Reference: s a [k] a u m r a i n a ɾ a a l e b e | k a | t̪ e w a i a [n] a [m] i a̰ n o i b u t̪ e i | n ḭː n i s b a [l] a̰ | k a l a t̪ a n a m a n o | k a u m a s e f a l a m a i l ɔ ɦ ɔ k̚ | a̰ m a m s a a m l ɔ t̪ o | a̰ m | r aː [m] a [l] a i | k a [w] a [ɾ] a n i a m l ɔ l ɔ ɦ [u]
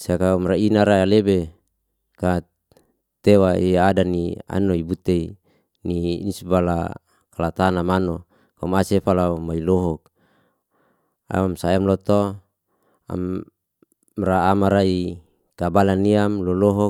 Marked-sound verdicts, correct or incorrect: correct, incorrect: d, incorrect: n, correct, correct, incorrect: ɾ, incorrect: b, incorrect: l, incorrect: ɔ

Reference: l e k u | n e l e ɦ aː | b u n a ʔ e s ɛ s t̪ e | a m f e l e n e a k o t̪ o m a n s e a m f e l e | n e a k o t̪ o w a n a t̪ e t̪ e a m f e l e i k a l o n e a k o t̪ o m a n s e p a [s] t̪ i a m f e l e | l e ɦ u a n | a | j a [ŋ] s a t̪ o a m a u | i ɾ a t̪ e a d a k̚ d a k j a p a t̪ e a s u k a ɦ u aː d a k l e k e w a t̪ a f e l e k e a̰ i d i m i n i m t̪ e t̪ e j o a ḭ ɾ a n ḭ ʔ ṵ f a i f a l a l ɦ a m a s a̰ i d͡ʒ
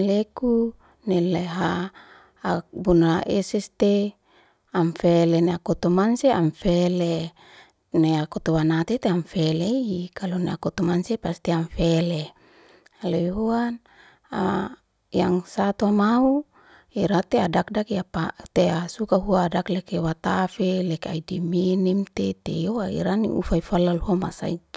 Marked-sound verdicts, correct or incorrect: correct, correct

